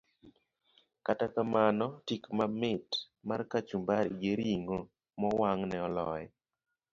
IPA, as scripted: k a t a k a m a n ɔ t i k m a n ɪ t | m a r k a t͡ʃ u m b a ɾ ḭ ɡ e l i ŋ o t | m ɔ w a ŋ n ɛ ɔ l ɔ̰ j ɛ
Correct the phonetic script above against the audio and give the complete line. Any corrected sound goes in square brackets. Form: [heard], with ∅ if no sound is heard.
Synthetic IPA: k a t a k a m a n ɔ t i k m a [m] ɪ t | m a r k a t͡ʃ u m b a ɾ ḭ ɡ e [ɾ] i ŋ o [∅] | m ɔ w a ŋ n ɛ ɔ l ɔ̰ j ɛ